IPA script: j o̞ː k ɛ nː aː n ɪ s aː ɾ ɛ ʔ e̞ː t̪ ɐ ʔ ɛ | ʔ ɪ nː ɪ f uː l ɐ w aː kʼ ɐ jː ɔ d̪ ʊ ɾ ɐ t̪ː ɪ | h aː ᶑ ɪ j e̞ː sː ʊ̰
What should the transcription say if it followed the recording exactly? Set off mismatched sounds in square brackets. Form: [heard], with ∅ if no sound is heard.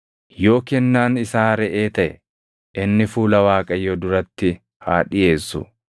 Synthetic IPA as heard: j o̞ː k ɛ nː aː n ɪ s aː ɾ ɛ ʔ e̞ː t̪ ɐ ʔ ɛ | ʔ ɪ nː ɪ f uː l ɐ w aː kʼ ɐ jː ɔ d̪ ʊ ɾ ɐ t̪ː ɪ | h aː ᶑ ɪ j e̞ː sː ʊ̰